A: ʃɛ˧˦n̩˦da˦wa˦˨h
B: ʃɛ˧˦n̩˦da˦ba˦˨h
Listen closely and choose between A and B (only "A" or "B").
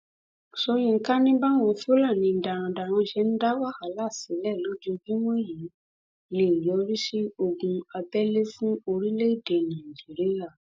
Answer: A